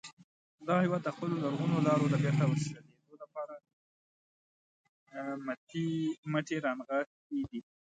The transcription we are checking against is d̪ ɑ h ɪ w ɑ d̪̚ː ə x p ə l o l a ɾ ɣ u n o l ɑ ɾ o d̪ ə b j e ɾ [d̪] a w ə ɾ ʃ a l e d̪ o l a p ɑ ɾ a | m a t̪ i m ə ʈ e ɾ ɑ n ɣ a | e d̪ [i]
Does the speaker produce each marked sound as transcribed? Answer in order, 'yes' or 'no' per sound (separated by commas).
no, yes